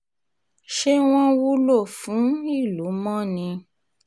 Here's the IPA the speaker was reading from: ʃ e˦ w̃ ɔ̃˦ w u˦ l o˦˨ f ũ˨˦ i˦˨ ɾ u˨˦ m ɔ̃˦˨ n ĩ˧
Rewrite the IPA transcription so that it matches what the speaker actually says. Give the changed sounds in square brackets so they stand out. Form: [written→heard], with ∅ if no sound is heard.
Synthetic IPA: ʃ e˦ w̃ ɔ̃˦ w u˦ l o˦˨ f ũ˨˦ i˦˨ [ɾ→l] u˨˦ m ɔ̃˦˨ n ĩ˧